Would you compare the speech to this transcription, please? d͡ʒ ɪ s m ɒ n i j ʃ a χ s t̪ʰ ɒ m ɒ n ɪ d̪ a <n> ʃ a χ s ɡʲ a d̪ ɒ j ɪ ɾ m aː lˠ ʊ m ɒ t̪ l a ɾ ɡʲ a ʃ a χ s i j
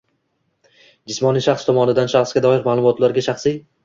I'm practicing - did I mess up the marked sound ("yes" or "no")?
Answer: no